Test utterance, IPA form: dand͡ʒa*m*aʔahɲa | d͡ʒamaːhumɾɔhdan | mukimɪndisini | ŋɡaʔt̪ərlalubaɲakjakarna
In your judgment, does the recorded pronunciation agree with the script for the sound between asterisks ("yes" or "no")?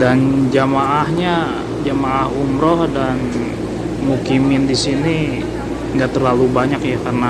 yes